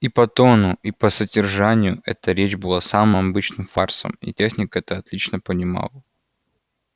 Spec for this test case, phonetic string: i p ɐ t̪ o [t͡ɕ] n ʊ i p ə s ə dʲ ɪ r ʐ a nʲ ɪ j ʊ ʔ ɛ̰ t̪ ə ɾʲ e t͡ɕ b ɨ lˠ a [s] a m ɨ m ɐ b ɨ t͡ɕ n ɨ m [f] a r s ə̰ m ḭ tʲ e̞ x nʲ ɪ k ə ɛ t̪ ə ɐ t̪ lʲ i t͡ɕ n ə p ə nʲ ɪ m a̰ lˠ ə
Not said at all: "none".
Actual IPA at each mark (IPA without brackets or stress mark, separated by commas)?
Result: none, s, f